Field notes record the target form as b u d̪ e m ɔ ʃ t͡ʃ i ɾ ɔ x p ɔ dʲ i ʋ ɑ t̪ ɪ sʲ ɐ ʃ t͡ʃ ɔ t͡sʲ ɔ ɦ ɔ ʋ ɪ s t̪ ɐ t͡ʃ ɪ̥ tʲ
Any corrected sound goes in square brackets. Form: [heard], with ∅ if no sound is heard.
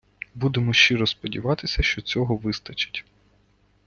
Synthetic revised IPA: b u d̪ e m ɔ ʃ t͡ʃ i ɾ ɔ [s] p ɔ dʲ i ʋ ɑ t̪ ɪ sʲ ɐ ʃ t͡ʃ ɔ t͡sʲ ɔ ɦ ɔ ʋ ɪ s t̪ ɐ t͡ʃ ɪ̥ tʲ